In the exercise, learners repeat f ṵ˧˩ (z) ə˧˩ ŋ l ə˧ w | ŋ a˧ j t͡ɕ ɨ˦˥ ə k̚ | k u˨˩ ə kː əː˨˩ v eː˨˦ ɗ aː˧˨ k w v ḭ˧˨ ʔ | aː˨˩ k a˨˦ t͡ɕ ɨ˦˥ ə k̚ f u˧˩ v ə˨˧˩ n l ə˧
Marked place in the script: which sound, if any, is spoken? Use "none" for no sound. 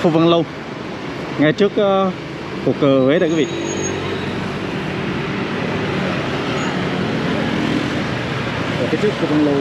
v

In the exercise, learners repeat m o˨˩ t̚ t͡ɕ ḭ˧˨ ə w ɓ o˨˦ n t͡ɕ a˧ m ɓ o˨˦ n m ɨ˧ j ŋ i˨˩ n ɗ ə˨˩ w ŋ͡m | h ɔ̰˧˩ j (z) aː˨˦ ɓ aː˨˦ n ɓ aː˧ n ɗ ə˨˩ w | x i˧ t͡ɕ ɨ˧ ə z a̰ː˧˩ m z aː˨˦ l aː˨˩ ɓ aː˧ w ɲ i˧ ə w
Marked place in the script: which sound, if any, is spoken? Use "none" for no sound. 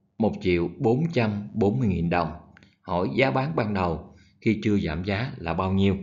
z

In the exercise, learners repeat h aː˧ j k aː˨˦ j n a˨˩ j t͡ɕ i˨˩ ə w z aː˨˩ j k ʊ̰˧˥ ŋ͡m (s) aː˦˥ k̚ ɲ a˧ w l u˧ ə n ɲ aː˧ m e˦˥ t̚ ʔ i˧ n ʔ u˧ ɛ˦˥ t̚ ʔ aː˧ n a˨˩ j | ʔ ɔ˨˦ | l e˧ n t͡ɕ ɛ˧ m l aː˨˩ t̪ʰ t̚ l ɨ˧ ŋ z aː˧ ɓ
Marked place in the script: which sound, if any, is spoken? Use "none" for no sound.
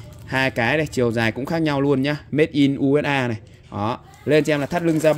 x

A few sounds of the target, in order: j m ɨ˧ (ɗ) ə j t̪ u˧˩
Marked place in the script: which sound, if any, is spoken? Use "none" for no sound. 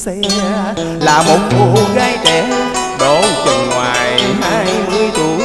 none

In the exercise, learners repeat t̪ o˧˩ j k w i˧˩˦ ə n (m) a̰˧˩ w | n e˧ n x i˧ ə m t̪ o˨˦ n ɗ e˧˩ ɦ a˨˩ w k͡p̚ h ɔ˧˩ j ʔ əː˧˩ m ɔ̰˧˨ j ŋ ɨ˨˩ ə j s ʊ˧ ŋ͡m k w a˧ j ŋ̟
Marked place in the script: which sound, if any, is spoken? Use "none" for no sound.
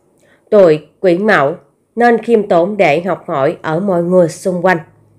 m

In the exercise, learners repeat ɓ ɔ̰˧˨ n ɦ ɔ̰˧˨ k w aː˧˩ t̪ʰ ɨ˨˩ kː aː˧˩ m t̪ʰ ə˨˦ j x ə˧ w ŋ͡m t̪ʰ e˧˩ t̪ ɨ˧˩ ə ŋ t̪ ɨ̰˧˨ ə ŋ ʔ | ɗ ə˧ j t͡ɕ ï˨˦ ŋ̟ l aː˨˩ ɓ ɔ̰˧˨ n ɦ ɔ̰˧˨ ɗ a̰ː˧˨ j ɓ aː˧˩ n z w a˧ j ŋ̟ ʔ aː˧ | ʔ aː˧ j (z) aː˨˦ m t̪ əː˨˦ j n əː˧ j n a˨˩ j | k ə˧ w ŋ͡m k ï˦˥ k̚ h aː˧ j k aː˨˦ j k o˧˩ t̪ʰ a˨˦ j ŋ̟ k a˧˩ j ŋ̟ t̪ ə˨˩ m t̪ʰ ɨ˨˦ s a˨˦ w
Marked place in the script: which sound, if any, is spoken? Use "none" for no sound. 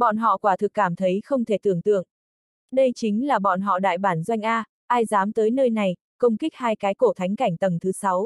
z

